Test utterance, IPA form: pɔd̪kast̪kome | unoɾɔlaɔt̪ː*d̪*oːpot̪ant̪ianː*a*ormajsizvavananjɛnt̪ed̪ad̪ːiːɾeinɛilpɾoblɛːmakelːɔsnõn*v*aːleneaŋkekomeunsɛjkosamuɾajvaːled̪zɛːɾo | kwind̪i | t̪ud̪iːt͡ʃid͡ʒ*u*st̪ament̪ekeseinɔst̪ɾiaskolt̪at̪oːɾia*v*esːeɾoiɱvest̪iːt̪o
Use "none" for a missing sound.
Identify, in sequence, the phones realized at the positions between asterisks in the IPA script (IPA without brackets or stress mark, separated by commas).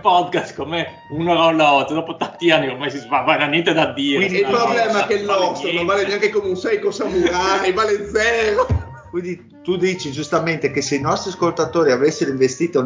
d̪, i, v, u, v